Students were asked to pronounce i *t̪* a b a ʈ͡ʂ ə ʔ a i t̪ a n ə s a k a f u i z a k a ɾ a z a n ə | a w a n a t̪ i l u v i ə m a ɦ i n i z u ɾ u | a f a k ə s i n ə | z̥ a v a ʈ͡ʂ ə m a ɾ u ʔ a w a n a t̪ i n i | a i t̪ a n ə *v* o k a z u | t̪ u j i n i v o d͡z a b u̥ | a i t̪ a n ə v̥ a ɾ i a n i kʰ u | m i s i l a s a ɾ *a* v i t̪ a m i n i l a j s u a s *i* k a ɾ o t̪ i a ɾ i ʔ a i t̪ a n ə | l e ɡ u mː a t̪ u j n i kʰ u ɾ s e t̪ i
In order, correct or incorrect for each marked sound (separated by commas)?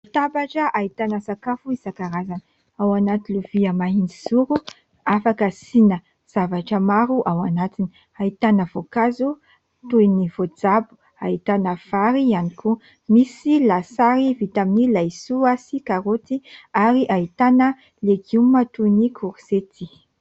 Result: correct, correct, incorrect, correct